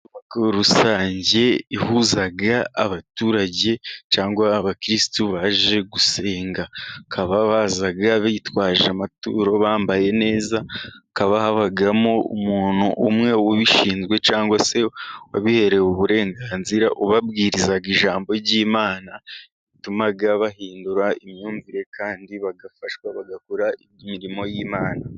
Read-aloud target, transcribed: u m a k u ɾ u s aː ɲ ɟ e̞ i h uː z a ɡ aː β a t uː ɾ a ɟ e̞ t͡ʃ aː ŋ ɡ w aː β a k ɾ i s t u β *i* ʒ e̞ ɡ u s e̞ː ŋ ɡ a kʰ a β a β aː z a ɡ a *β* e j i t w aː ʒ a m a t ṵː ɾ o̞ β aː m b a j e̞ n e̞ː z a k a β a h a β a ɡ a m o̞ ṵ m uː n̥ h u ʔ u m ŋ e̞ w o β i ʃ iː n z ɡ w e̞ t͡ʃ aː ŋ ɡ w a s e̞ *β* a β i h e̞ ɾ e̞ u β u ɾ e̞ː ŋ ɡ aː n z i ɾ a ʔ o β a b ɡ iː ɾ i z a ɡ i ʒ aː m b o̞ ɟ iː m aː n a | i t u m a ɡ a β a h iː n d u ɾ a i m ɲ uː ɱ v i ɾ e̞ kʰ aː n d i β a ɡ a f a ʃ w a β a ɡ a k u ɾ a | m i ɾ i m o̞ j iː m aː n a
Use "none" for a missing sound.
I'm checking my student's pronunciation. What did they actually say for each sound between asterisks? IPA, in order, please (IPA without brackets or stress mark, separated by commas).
a, β, w